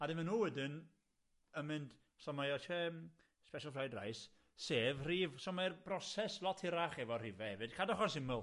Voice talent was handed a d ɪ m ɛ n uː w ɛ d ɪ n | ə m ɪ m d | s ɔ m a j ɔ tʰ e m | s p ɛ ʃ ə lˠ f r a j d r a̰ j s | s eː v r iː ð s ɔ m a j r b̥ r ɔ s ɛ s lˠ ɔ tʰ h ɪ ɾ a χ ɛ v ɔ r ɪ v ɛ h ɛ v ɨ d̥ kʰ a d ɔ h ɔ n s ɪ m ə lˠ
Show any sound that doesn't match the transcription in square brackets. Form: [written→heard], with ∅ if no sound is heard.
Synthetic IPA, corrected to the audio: a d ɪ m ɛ n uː w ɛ d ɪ n | ə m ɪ [m→n] d | s ɔ m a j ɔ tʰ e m | s p ɛ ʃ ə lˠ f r a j d r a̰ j s | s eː v r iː [ð→v] s ɔ m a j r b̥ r ɔ s ɛ s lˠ ɔ tʰ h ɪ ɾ a χ ɛ v ɔ r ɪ v ɛ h ɛ v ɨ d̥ kʰ a d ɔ [h→χ] ɔ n s ɪ m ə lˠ